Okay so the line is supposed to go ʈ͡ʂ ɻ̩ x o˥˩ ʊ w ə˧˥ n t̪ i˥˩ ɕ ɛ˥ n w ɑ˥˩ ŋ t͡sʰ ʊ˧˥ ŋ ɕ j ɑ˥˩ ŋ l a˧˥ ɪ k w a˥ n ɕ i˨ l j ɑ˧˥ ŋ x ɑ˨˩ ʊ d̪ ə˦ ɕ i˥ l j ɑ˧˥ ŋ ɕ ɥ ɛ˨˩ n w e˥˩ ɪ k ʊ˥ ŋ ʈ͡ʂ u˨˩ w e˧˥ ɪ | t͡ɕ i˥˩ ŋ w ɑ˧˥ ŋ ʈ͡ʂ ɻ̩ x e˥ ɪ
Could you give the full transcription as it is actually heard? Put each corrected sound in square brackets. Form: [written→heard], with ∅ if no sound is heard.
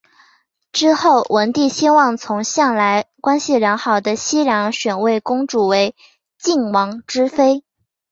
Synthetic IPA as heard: ʈ͡ʂ ɻ̩ x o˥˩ ʊ w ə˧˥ n t̪ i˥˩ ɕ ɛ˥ n w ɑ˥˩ ŋ t͡sʰ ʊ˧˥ ŋ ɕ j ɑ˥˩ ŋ l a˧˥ ɪ k w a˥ n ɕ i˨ l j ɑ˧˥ ŋ x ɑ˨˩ ʊ d̪ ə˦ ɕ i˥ l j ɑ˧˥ ŋ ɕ ɥ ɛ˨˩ n w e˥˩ ɪ k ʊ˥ ŋ ʈ͡ʂ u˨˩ w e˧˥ ɪ | t͡ɕ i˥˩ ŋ w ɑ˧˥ ŋ ʈ͡ʂ ɻ̩ [x→f] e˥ ɪ